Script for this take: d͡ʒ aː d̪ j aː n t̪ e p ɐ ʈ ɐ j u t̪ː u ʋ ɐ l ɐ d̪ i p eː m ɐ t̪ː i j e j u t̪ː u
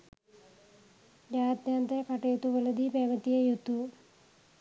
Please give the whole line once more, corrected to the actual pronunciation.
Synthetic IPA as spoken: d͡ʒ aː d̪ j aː n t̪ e k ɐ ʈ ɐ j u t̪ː u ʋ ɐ l ɐ d̪ i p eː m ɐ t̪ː i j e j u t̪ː u